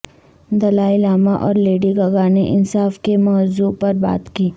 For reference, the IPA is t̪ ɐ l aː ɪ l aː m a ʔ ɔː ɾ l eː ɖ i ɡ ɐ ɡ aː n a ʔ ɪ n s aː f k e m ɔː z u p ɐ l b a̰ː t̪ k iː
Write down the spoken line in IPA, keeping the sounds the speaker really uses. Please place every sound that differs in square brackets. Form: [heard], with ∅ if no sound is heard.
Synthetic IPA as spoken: [d̪] ɐ l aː ɪ l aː m a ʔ ɔː ɾ l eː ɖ i ɡ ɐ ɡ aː n [e] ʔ ɪ n s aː f k e m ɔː z u p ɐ [ɾ] b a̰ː t̪ k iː

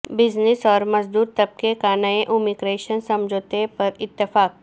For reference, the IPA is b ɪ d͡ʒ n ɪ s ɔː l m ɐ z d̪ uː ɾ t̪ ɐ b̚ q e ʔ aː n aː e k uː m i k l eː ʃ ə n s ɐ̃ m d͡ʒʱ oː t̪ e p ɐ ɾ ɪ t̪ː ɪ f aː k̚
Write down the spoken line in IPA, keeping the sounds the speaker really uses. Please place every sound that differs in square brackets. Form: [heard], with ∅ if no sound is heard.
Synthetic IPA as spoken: b ɪ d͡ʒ n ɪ s ɔː [ɾ] m ɐ z d̪ uː ɾ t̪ ɐ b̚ [k] e [k] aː n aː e [ʔ] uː m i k [ɾ] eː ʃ ə n s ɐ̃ m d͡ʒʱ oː t̪ e p ɐ ɾ ɪ t̪ː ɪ f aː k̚

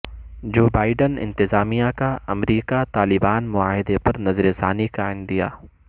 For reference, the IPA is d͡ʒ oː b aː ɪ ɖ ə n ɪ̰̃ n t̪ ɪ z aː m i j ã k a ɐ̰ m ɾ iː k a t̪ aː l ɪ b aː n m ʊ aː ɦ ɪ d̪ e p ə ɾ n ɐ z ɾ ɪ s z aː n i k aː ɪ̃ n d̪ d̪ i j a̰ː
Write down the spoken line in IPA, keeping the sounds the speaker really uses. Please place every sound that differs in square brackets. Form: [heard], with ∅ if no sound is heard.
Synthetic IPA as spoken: d͡ʒ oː b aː ɪ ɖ ə n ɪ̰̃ n t̪ ɪ z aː m i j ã k a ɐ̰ m ɾ iː k a t̪ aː l ɪ b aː n m ʊ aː ɦ ɪ d̪ e p [ɐ] ɾ n ɐ z ɾ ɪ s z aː n i k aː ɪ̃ n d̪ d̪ i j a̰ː

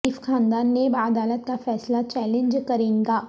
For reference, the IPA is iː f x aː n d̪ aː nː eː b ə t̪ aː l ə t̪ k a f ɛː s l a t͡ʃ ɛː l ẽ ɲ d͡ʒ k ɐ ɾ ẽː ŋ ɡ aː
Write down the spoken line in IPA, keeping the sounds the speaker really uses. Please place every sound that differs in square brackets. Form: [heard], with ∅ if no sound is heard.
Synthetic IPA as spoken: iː f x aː n d̪ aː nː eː b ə [d̪] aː l ə t̪ k a f ɛː s l a t͡ʃ ɛː l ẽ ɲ d͡ʒ k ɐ ɾ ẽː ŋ ɡ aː

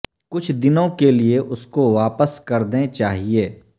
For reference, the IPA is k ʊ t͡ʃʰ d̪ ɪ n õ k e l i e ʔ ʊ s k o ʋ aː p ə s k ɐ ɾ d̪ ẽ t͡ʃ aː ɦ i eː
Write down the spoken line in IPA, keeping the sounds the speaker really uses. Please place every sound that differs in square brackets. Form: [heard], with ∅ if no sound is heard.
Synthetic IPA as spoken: k ʊ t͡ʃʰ d̪ ɪ n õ k e l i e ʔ ʊ s k o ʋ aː p ə s k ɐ ɾ d̪ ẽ t͡ʃ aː ɦ i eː

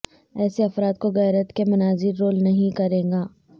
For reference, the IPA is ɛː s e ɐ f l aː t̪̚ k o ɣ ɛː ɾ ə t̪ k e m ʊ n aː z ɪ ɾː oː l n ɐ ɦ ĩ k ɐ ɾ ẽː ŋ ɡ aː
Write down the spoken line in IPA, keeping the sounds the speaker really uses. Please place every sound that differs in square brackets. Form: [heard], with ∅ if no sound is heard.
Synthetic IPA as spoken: ɛː s e ɐ f [ɾ] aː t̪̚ k o ɣ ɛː ɾ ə t̪ k e m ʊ n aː z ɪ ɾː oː l n ɐ ɦ ĩ k ɐ ɾ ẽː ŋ ɡ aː

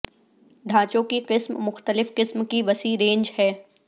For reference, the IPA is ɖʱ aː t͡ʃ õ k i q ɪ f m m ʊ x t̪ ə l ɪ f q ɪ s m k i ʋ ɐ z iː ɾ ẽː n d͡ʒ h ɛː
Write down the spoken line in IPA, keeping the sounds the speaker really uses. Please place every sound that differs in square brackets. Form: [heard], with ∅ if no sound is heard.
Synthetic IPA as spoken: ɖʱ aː t͡ʃ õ k i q ɪ [s] m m ʊ x t̪ ə l ɪ f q ɪ s m k i ʋ ɐ [s] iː ɾ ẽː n d͡ʒ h ɛː

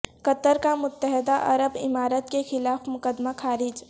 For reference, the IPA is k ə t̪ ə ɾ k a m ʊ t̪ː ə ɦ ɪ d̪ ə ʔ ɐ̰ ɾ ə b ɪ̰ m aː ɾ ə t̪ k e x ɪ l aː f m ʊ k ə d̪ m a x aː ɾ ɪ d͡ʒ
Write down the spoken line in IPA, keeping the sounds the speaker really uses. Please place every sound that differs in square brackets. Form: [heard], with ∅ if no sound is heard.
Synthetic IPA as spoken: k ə t̪ ə ɾ k a m ʊ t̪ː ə ɦ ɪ d̪ [a] ʔ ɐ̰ ɾ ə b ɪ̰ m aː ɾ ə t̪ k e x ɪ l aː f m ʊ k ə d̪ m a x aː ɾ ɪ d͡ʒ

